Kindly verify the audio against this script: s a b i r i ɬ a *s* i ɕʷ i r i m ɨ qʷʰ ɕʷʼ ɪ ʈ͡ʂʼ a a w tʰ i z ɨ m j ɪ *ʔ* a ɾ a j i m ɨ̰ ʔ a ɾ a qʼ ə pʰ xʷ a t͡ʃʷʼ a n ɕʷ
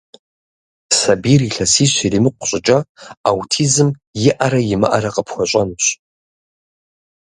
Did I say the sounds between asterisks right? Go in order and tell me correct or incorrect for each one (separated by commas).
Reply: correct, correct